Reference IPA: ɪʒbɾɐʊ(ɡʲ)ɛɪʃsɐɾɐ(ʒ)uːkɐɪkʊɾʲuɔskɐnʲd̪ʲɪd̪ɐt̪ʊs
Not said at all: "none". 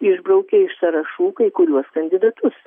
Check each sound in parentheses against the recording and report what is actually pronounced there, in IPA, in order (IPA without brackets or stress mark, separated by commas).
kʲ, ʃ